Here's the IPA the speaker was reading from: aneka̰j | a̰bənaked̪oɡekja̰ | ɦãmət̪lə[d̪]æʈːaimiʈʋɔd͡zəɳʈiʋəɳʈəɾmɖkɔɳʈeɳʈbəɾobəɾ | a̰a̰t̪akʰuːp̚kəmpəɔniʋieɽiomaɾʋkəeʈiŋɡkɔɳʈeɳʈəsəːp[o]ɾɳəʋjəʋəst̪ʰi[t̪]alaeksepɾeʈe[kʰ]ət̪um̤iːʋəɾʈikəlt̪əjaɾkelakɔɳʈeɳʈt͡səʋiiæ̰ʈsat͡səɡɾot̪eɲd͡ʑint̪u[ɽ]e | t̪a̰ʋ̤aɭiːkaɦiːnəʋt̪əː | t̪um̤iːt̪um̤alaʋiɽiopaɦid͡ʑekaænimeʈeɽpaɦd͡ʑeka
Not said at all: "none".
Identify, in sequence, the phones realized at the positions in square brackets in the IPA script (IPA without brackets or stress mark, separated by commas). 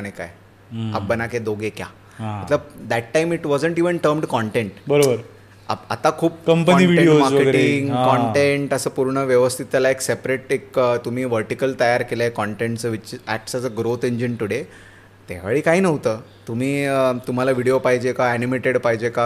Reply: d̪, u, t̪, k, ɽ